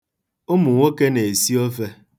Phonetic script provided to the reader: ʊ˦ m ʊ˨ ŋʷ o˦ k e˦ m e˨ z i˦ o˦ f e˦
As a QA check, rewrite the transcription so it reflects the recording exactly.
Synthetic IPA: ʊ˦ m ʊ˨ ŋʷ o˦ k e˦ n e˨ s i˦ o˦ f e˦